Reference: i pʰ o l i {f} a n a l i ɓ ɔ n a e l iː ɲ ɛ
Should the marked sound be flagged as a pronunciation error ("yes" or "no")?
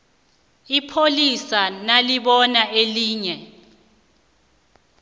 yes